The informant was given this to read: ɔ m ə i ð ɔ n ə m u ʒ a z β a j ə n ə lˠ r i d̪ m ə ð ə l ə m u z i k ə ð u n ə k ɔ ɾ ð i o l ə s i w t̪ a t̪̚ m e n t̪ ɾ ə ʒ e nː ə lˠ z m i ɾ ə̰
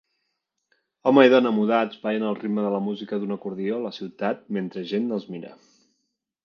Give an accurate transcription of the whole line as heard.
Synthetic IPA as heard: ɔ m ə i ð ɔ n ə m u ð a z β a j ə n ə lˠ r i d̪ m ə ð ə l ə m u z i k ə ð u n ə k u ɾ ð i o l ə s i w t̪ a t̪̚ m e n t̪ ɾ ə ʒ e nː ə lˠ z m i ɾ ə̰